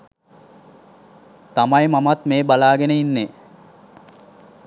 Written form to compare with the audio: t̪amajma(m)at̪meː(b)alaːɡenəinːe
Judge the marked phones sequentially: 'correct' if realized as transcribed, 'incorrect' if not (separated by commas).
correct, correct